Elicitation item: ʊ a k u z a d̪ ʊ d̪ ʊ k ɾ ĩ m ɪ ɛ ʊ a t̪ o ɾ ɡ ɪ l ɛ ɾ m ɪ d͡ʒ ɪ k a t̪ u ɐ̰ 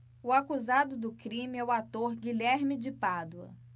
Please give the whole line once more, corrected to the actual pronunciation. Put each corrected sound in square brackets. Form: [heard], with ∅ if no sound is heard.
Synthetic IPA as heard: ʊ a k u z a d̪ ʊ d̪ ʊ k ɾ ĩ m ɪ ɛ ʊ a t̪ o ɾ ɡ [i] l ɛ ɾ m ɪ d͡ʒ ɪ [p] a [d̪] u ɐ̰